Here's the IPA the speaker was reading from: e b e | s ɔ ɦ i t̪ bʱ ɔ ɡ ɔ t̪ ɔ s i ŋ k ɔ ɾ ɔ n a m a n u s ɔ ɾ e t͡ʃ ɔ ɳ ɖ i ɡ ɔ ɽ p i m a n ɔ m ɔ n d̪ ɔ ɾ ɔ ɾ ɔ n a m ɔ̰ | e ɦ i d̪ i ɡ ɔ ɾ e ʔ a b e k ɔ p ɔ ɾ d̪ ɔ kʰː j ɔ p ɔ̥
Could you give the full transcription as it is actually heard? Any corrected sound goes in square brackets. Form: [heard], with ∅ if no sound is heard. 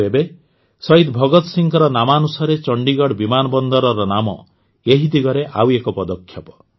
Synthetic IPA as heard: e b e | s ɔ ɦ i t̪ bʱ ɔ ɡ ɔ t̪ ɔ s i ŋ k ɔ ɾ ɔ n a m a n u s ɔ ɾ e t͡ʃ ɔ ɳ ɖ i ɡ ɔ ɽ [b] i m a n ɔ [b] ɔ n d̪ ɔ ɾ ɔ ɾ ɔ n a m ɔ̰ | e ɦ i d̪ i ɡ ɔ ɾ e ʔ a [w] e k ɔ p ɔ [∅] d̪ ɔ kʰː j ɔ p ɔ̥

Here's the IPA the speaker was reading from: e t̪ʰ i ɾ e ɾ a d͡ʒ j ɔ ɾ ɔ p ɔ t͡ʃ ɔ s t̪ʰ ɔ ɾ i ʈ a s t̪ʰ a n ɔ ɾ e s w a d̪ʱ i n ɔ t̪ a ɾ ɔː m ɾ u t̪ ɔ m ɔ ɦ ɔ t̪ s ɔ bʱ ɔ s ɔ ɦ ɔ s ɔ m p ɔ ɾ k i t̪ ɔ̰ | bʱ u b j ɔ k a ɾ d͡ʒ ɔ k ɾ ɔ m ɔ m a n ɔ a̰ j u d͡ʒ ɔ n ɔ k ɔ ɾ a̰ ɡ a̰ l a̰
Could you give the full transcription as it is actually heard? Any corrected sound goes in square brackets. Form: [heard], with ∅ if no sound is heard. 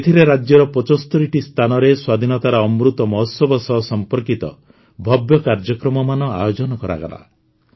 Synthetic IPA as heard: e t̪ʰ i ɾ e ɾ a d͡ʒ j ɔ ɾ ɔ p ɔ t͡ʃ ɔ s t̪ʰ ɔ ɾ i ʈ [i] s t̪ʰ a n ɔ ɾ e s w a d̪ʱ i n ɔ t̪ a ɾ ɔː m ɾ u t̪ ɔ m ɔ ɦ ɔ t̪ s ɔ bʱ ɔ s ɔ ɦ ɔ s ɔ m p ɔ ɾ k i t̪ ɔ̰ | bʱ [ɔ] b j ɔ k a ɾ d͡ʒ ɔ k ɾ ɔ m ɔ m a n ɔ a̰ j [o] d͡ʒ ɔ n ɔ k ɔ ɾ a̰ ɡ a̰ l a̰

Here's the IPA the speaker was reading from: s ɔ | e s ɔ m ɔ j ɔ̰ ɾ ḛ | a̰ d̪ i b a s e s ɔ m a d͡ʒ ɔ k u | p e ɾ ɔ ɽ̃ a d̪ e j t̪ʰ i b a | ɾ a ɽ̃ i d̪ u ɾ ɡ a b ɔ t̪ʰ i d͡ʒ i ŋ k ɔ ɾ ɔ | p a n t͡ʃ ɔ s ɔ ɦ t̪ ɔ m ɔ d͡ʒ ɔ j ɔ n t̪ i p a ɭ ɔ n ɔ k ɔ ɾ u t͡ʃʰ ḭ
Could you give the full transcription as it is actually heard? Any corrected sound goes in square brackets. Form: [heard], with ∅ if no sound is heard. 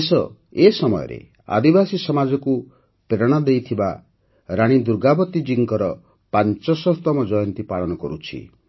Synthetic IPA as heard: s ɔ | e s ɔ m ɔ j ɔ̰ ɾ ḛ | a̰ d̪ i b a s [i] s ɔ m a d͡ʒ ɔ k u | p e ɾ ɔ ɽ̃ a d̪ e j t̪ʰ i b a | ɾ a ɽ̃ i d̪ u ɾ ɡ a b ɔ [t̪] i d͡ʒ i ŋ k ɔ ɾ ɔ | p a n t͡ʃ ɔ s ɔ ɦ t̪ ɔ m ɔ d͡ʒ ɔ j ɔ n t̪ i p a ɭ ɔ n ɔ k ɔ ɾ u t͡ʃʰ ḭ

